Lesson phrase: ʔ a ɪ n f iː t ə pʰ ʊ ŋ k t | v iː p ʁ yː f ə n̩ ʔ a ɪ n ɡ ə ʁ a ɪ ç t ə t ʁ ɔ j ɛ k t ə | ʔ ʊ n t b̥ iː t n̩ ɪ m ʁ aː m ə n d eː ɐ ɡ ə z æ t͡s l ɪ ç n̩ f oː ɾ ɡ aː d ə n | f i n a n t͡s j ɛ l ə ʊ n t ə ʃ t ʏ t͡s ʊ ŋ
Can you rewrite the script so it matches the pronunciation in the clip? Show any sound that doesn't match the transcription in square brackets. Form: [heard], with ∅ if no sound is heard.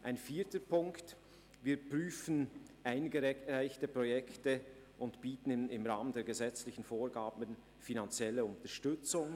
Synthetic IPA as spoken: ʔ a ɪ n f iː t ə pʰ ʊ ŋ k t | v iː p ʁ yː f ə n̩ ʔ a ɪ n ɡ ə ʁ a ɪ ç t ə [p] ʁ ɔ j ɛ k t ə | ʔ ʊ n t b̥ iː t n̩ ɪ m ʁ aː m ə n d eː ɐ ɡ ə z [ɛ] t͡s l ɪ ç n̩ f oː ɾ ɡ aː [b] ə n | f i n a n t͡s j ɛ l ə ʊ n t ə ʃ t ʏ t͡s ʊ ŋ